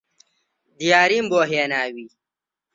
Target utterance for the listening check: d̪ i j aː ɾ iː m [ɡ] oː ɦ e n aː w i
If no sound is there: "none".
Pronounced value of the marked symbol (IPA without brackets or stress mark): b